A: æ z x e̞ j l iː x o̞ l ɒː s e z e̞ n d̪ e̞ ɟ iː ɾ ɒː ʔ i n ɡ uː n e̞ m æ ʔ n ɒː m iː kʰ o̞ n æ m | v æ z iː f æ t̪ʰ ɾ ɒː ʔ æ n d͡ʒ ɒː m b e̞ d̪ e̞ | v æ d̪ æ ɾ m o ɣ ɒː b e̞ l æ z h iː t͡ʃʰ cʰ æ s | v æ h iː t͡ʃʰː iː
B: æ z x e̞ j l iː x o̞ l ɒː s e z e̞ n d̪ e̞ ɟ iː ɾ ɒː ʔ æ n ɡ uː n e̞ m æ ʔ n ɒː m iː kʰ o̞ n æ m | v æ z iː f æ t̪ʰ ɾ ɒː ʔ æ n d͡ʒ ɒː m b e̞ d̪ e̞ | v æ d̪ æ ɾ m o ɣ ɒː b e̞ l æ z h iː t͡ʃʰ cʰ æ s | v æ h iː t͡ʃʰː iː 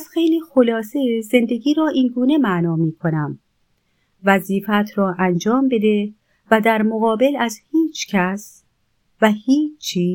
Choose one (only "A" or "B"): A